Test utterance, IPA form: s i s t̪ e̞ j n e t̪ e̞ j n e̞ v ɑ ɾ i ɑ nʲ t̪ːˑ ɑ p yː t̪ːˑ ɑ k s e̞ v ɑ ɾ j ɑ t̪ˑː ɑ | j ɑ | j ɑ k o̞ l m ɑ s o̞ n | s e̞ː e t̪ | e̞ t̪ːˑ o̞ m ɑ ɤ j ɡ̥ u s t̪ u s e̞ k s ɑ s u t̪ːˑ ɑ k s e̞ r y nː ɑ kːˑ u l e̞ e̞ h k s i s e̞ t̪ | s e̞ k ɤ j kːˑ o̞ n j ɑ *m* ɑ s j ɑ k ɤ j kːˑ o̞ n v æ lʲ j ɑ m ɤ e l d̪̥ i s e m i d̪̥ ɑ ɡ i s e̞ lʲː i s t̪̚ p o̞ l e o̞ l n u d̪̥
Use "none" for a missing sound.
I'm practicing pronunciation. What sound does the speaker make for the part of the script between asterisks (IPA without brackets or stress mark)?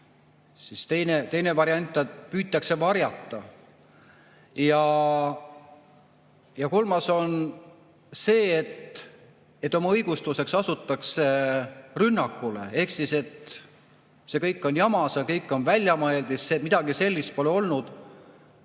m